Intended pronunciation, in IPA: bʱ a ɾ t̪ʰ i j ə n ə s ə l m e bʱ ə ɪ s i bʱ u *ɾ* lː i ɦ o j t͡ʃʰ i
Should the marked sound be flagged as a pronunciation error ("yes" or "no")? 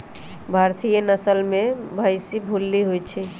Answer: yes